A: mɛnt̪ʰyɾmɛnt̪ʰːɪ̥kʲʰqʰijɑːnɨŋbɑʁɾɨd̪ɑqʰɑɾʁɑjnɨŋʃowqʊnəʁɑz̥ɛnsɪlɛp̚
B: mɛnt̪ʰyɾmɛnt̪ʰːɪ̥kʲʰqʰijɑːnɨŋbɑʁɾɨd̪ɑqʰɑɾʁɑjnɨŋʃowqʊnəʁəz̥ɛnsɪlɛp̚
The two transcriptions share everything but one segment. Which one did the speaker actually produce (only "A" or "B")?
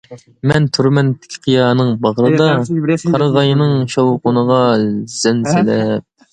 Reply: A